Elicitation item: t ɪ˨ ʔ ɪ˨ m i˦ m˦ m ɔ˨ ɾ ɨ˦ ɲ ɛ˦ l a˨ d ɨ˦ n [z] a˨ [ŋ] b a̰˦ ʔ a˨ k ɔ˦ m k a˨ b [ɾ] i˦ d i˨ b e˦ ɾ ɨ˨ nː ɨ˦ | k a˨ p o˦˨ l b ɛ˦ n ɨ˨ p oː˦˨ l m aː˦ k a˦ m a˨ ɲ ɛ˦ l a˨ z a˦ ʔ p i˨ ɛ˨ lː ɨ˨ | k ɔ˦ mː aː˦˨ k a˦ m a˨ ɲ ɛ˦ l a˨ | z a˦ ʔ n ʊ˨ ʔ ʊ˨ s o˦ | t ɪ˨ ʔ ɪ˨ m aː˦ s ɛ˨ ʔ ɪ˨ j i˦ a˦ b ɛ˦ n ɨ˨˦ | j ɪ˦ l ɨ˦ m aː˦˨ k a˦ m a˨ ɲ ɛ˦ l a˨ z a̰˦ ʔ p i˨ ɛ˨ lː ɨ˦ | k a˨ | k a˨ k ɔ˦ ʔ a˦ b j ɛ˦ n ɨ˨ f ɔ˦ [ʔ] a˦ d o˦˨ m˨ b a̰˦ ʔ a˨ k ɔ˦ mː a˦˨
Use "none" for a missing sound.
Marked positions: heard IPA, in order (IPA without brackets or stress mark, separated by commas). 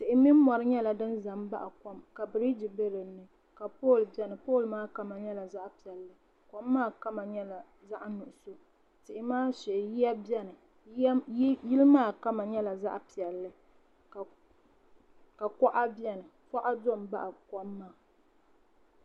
z, m, ɾ, ʔ